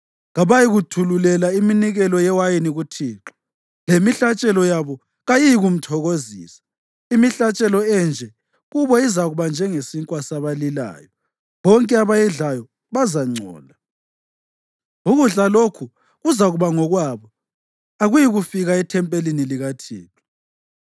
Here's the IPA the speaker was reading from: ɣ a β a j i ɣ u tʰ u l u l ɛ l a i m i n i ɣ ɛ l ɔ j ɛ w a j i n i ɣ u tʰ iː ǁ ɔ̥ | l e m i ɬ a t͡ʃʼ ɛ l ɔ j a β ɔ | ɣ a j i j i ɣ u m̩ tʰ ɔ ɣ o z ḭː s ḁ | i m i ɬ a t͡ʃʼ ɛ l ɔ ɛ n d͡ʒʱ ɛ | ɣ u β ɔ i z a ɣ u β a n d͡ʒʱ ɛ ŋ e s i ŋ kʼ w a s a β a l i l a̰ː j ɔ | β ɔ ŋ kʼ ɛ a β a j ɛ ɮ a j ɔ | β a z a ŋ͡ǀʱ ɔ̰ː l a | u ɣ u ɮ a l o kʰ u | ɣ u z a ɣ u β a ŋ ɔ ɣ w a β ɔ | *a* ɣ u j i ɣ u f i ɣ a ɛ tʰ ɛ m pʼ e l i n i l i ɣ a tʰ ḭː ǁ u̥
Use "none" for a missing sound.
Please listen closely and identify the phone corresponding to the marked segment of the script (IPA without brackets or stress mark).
a